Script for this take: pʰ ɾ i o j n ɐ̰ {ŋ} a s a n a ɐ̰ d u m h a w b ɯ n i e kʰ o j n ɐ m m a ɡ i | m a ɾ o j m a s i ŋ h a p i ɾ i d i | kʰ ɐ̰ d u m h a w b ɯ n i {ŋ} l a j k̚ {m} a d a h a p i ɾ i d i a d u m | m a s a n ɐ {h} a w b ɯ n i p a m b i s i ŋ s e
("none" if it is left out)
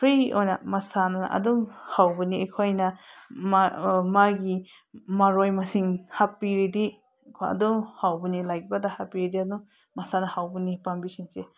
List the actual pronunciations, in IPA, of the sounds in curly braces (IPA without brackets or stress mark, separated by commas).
m, none, b, h